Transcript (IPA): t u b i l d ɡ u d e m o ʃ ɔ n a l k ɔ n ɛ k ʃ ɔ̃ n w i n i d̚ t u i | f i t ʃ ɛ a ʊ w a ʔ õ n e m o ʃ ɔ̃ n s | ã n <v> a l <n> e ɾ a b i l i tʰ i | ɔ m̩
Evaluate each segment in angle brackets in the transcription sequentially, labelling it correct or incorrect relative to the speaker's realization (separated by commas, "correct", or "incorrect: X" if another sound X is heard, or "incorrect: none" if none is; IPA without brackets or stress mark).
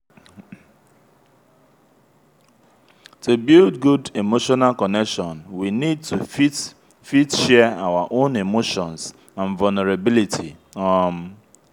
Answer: correct, correct